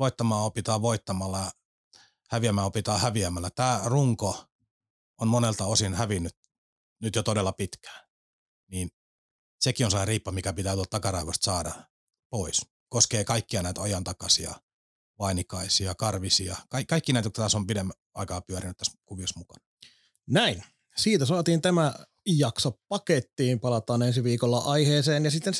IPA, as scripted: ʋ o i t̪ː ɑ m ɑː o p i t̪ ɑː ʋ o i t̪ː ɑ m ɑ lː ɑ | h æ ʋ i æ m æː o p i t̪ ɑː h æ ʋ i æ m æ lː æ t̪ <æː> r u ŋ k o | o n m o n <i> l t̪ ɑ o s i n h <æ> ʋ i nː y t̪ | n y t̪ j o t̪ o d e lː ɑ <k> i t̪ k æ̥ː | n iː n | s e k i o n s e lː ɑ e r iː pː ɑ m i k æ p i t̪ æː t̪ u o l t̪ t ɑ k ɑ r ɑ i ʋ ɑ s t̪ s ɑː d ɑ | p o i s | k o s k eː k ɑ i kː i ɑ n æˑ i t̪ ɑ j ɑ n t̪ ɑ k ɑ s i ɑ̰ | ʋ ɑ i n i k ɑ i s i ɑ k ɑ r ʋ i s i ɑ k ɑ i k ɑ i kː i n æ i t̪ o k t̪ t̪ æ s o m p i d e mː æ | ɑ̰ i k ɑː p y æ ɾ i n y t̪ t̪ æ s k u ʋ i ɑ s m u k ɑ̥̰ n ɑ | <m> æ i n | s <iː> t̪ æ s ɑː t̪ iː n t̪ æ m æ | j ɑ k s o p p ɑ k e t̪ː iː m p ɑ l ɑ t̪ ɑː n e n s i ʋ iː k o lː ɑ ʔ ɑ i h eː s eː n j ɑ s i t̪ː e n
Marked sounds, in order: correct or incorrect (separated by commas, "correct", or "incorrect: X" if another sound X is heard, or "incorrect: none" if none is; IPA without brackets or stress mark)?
correct, incorrect: e, correct, incorrect: p, incorrect: n, correct